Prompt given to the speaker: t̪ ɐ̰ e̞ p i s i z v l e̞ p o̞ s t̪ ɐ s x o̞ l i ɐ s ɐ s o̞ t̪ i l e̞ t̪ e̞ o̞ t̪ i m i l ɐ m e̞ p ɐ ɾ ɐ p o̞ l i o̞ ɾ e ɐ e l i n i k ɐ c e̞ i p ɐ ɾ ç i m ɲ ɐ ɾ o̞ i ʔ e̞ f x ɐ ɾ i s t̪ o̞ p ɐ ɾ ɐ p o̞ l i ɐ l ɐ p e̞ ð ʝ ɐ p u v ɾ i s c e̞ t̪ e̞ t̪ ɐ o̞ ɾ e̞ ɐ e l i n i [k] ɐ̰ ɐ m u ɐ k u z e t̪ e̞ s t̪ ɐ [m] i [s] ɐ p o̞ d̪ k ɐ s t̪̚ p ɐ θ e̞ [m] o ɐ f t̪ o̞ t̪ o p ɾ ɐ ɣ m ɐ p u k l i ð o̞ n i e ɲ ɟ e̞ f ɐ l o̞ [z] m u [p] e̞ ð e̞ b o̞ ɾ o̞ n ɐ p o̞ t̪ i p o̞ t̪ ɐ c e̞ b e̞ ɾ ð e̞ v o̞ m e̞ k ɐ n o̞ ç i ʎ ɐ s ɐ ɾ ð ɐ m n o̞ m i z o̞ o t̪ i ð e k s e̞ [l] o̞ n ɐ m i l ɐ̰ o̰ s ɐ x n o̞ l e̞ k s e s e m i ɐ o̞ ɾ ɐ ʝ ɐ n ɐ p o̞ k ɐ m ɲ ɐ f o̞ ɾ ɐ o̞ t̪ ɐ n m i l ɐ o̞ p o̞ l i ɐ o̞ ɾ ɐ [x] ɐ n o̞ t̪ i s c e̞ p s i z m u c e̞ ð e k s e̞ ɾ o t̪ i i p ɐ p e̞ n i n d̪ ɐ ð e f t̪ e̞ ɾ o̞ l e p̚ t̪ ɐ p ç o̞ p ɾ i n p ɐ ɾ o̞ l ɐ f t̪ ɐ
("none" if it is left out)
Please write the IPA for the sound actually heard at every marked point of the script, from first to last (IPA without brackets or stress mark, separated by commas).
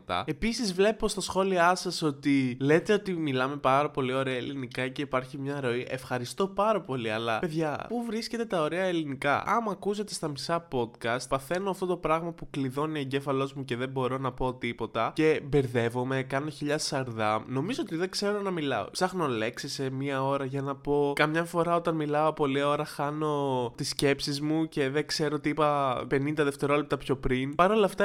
k, m, s, n, z, c, ɾ, x